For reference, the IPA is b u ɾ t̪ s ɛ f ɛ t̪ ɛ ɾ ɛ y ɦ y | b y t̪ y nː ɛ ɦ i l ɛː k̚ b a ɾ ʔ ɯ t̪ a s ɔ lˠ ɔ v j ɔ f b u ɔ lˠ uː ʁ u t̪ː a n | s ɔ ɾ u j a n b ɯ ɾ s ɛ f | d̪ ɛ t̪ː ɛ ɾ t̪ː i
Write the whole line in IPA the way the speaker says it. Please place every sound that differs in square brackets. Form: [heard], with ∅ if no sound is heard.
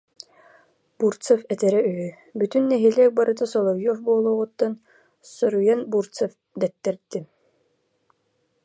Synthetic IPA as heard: b u ɾ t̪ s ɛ f ɛ t̪ ɛ ɾ ɛ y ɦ y | b y t̪ y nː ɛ ɦ i l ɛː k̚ b a ɾ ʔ ɯ t̪ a s ɔ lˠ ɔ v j ɔ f b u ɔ lˠ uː ʁ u t̪ː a n | s ɔ ɾ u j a n b [u] ɾ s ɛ f | d̪ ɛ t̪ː ɛ ɾ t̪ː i